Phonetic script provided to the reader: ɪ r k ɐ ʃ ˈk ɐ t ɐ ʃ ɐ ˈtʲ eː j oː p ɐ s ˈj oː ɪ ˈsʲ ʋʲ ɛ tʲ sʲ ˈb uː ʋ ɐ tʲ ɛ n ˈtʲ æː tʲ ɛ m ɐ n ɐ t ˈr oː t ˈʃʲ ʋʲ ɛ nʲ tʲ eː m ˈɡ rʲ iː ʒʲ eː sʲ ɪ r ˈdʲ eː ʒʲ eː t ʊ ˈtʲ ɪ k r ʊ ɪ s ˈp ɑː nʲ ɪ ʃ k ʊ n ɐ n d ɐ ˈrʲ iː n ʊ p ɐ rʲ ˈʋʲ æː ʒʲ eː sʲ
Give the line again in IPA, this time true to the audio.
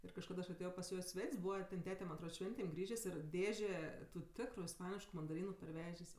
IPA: ɪ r k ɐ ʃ ˈk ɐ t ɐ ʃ ɐ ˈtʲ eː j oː p ɐ s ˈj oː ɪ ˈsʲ ʋʲ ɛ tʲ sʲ ˈb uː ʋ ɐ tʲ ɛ n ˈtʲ æː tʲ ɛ m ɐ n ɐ t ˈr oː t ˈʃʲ ʋʲ ɛ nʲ tʲ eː m ˈɡ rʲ iː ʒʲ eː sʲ ɪ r ˈdʲ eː ʒʲ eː t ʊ ˈtʲ ɪ k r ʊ ɪ s ˈp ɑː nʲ ɪ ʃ k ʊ m ɐ n d ɐ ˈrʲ iː n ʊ p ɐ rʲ ˈʋʲ æː ʒʲ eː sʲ